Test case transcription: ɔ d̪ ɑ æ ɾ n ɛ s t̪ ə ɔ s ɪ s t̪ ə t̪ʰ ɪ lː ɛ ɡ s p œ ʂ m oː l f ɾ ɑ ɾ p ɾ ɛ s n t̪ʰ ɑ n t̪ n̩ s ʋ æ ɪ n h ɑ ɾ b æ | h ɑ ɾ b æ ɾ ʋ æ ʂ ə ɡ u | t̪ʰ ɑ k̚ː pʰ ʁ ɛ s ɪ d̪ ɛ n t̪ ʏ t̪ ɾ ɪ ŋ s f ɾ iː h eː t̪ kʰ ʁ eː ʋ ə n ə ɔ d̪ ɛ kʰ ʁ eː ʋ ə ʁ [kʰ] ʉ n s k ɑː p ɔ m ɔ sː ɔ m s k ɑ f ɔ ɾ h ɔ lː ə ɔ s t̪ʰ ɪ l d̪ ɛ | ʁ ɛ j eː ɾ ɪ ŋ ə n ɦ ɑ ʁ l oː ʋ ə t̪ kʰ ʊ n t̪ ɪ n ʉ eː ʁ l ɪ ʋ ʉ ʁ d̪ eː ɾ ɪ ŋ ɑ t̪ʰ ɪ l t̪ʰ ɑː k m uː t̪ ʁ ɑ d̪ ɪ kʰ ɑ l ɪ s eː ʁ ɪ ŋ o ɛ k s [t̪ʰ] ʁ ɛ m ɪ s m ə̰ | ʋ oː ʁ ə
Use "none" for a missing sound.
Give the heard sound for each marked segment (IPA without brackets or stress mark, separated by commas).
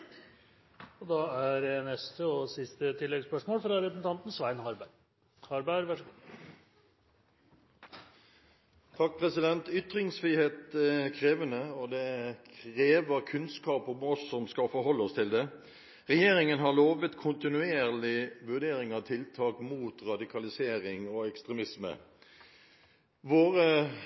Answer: kʰ, t̪